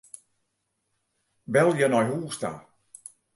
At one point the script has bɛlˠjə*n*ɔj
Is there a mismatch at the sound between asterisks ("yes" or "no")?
no